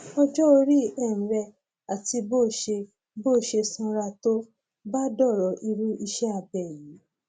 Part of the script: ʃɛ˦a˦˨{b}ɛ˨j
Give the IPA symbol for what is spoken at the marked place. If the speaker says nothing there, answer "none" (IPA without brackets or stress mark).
b